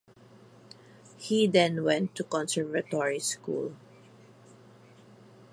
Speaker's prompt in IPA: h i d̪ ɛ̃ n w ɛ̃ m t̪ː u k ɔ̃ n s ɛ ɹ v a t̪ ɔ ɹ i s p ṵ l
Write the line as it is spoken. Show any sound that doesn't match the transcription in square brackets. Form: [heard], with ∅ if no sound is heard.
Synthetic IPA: h i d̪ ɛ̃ n w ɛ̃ [n] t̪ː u k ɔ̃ n s ɛ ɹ v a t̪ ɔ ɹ i s [k] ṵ l